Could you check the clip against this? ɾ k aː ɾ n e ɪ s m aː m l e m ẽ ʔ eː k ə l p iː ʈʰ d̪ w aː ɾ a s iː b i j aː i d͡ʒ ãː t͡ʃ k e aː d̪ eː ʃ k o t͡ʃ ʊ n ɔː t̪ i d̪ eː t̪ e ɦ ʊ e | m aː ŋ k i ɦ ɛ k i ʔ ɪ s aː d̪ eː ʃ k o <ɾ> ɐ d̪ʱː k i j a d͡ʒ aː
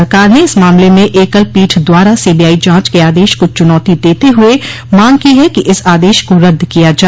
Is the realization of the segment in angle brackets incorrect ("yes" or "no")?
no